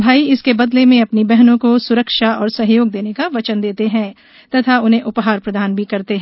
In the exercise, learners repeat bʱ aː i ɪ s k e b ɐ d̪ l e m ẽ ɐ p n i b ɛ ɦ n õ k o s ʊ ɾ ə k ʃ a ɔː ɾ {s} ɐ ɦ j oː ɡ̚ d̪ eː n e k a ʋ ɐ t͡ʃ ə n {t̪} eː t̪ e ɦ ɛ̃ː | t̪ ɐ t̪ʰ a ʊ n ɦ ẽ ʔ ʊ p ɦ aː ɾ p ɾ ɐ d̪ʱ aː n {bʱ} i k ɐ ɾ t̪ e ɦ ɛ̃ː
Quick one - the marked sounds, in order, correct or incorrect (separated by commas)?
correct, incorrect, correct